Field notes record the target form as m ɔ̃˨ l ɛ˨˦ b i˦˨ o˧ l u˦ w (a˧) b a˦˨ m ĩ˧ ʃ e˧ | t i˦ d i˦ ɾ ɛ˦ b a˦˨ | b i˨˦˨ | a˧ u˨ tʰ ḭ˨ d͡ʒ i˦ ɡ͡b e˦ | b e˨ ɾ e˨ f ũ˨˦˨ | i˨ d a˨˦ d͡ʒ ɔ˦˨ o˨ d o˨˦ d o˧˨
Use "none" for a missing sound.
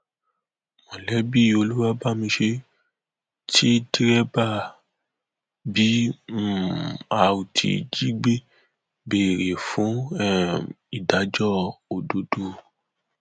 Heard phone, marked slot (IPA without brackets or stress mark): a˧